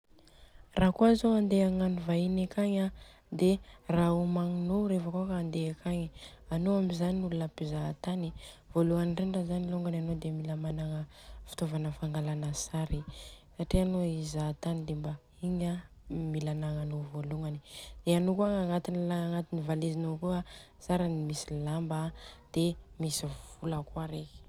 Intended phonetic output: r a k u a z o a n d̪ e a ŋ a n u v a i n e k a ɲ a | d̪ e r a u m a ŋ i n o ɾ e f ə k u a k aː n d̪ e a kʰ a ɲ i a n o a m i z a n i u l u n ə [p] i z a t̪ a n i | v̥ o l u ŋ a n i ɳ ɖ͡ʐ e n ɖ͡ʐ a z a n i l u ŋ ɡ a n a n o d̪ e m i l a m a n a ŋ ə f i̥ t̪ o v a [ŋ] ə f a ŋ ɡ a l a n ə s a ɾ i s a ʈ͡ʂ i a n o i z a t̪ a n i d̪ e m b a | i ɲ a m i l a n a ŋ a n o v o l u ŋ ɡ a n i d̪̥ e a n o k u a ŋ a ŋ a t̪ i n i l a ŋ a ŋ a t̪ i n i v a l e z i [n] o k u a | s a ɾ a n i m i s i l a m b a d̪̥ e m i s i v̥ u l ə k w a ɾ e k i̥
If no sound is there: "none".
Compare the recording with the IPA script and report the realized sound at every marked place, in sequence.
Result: p, n, n

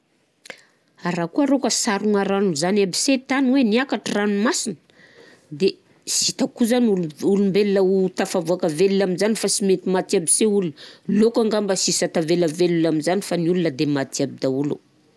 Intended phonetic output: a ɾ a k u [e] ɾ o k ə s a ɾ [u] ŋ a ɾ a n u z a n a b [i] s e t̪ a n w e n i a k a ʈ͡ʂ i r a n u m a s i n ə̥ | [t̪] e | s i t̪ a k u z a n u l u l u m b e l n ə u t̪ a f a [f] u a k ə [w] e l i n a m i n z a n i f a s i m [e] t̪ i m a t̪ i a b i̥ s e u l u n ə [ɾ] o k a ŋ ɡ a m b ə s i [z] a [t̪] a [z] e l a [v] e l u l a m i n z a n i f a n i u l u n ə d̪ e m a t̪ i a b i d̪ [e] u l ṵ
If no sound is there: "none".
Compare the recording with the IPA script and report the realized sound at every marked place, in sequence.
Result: a, u, i, d̪, v, v, e, l, s, t̪, v, v, a

